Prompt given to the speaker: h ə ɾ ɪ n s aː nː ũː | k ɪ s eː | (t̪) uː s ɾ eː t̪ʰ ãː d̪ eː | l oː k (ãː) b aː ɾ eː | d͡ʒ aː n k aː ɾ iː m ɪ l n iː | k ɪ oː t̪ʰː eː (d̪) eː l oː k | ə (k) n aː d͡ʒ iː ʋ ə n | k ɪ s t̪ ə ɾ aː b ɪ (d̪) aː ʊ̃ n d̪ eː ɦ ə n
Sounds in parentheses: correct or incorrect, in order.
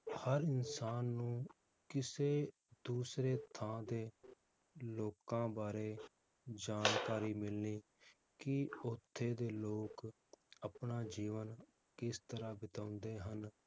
incorrect, correct, correct, incorrect, incorrect

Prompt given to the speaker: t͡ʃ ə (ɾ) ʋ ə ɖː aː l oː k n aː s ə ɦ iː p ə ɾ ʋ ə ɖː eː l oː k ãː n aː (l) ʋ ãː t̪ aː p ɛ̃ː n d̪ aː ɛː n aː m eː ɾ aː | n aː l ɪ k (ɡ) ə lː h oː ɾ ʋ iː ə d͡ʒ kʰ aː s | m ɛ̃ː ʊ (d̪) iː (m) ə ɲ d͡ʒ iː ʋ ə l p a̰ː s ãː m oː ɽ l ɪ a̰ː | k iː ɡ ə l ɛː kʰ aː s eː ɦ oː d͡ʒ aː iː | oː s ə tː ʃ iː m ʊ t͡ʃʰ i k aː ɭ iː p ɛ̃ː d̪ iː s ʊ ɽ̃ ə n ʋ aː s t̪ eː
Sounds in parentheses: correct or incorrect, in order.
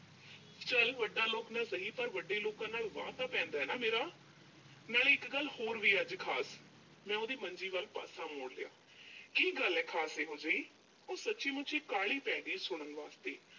incorrect, correct, correct, correct, correct

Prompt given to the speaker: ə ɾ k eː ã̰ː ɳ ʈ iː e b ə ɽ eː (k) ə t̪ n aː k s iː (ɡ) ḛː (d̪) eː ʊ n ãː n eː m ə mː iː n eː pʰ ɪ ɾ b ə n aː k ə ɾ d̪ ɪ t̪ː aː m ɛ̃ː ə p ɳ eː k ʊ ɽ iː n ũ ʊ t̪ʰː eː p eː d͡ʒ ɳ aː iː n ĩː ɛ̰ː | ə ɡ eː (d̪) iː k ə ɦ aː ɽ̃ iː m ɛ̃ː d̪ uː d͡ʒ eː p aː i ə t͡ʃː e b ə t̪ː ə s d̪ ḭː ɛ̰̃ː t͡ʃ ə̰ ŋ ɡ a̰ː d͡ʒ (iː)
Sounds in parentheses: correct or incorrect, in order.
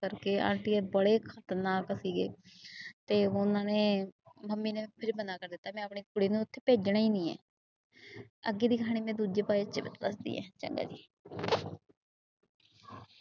incorrect, correct, incorrect, correct, correct

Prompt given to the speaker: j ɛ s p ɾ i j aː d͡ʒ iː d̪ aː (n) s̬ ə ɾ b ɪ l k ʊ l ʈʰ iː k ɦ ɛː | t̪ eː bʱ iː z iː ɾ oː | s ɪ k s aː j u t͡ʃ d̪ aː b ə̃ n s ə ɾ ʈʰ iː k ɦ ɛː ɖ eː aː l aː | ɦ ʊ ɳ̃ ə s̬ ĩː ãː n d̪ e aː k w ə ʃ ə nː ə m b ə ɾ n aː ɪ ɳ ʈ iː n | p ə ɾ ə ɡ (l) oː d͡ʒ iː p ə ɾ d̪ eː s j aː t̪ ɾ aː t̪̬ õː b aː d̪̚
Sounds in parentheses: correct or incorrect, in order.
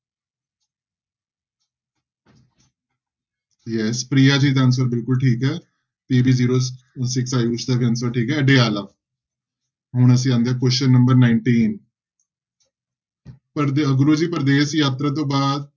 correct, incorrect

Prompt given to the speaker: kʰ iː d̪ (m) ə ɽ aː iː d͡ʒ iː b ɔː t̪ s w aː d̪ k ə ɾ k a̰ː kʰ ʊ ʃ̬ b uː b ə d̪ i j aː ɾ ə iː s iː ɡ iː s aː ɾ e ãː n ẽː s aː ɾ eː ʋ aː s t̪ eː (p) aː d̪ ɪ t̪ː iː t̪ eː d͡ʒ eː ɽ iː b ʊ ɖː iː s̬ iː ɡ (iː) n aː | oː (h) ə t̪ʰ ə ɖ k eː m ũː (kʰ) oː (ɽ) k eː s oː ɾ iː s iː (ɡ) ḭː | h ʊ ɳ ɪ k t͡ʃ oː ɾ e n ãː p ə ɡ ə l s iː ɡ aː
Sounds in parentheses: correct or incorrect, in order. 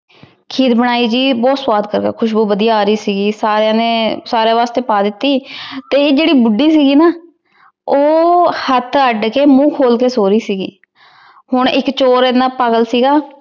incorrect, correct, correct, correct, correct, incorrect, correct

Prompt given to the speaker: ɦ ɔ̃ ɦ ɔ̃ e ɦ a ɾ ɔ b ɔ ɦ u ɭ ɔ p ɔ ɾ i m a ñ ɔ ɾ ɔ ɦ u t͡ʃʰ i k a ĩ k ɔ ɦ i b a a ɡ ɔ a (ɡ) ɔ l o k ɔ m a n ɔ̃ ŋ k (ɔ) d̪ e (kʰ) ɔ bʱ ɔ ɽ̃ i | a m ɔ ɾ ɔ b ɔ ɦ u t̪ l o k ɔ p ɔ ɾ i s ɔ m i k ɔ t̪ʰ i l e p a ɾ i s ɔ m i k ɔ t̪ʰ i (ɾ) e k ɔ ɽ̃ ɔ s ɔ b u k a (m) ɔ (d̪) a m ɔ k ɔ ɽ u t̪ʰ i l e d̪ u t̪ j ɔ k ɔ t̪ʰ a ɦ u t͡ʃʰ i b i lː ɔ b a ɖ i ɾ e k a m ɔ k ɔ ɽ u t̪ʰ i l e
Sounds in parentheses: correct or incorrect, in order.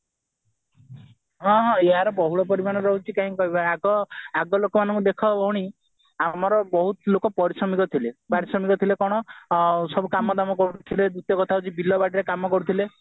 correct, incorrect, correct, incorrect, correct, correct

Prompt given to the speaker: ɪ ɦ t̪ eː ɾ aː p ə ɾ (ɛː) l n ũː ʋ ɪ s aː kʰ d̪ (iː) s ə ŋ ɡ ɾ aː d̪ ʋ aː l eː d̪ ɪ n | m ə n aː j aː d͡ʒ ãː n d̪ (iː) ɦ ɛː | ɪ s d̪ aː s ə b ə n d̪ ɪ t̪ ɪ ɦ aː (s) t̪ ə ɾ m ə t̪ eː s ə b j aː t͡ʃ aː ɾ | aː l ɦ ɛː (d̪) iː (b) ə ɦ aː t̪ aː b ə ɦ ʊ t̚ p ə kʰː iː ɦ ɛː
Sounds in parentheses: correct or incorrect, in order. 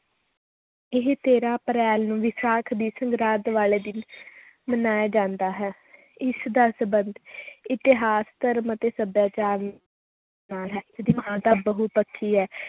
correct, correct, incorrect, correct, correct, incorrect

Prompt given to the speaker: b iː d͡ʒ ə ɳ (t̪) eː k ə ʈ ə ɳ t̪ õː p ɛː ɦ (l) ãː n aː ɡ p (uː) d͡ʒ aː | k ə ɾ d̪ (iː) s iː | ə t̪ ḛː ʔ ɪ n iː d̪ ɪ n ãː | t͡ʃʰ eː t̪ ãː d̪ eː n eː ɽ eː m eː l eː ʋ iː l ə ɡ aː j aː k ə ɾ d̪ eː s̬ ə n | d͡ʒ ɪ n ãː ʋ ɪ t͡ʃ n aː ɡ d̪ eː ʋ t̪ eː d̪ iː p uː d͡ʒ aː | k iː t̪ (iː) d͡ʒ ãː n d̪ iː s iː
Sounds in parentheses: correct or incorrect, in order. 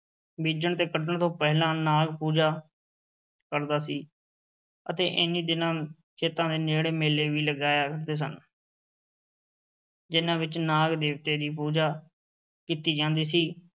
correct, correct, correct, incorrect, correct

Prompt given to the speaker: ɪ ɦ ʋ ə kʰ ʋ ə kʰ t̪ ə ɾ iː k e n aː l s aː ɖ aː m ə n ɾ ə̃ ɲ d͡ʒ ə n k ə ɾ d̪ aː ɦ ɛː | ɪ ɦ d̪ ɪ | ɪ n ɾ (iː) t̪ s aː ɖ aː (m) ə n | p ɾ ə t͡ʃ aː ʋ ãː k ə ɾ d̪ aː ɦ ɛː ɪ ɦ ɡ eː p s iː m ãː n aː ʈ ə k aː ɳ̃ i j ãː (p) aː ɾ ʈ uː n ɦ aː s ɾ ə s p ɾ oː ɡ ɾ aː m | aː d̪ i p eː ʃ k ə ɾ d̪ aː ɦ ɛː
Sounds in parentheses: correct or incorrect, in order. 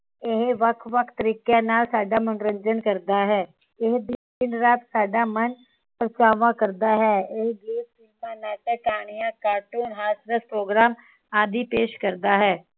incorrect, correct, incorrect

